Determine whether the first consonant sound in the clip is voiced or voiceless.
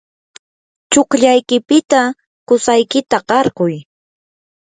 voiceless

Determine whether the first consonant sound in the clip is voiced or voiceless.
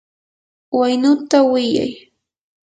voiced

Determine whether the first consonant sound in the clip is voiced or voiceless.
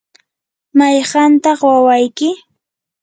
voiced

